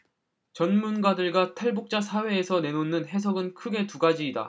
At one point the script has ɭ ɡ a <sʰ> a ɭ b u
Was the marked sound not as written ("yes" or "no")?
yes